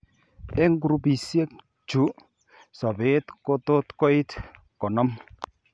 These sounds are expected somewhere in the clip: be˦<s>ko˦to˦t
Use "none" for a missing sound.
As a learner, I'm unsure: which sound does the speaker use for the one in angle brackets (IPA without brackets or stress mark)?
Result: t